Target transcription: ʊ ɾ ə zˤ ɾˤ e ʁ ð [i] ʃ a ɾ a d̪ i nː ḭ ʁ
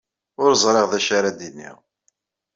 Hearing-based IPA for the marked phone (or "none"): æ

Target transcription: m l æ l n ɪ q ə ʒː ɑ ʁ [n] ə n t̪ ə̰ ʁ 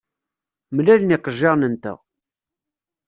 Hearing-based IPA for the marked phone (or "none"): n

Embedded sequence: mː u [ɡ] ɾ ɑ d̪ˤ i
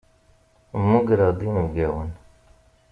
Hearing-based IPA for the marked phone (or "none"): ɡ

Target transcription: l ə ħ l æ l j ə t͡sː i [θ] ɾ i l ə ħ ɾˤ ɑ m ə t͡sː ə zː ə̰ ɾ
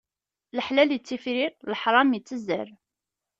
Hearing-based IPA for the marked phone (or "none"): f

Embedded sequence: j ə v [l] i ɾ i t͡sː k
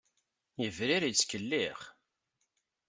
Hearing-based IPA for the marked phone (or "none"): ɾ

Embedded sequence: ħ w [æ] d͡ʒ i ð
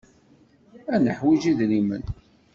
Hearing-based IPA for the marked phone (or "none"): i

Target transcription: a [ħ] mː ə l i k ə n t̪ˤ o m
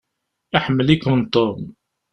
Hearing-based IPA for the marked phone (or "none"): ħ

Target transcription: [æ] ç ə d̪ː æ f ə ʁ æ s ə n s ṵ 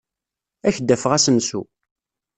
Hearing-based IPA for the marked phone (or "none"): æ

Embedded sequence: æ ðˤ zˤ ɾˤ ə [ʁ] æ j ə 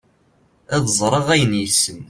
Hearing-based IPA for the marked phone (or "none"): ʁ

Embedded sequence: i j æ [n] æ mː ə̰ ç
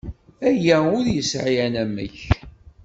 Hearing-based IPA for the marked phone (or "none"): n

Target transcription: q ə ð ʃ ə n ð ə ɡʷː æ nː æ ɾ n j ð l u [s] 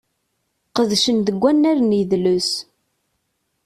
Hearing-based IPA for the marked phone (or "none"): s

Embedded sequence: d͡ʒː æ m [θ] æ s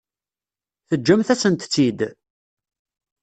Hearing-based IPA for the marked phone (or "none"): θ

